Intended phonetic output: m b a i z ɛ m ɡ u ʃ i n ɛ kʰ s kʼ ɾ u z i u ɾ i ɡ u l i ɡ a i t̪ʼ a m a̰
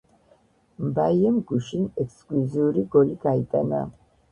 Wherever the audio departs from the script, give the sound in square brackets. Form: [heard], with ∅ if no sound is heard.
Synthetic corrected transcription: m b a i [∅] ɛ m ɡ u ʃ i n ɛ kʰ s kʼ [l] u z i u ɾ i ɡ [ɔ] l i ɡ a i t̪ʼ a [n] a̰